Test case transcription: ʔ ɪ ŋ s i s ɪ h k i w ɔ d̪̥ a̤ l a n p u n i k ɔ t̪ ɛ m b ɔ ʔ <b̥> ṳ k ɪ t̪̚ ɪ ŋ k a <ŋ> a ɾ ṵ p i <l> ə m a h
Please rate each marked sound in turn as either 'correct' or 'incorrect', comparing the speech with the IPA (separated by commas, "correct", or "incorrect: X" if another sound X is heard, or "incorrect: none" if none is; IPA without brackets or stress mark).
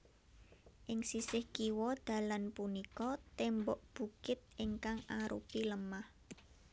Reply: correct, correct, correct